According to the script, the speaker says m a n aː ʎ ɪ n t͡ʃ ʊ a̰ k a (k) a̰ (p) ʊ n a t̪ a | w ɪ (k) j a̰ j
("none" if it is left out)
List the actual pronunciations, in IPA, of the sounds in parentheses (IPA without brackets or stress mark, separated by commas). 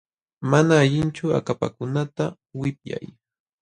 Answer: p, k, p